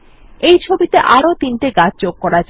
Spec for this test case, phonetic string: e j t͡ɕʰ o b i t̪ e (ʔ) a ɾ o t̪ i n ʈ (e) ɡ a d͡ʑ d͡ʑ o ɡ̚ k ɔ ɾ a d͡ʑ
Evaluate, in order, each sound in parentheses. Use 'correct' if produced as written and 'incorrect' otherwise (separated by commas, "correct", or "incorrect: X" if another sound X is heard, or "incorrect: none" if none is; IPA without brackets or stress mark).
correct, correct